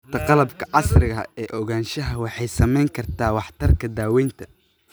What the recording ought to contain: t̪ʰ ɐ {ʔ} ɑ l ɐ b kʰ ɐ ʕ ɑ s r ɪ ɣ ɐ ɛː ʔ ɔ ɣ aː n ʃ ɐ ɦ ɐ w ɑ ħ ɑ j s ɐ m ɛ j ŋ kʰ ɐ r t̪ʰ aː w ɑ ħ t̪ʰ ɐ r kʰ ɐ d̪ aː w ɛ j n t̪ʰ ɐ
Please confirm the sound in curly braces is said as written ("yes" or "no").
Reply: no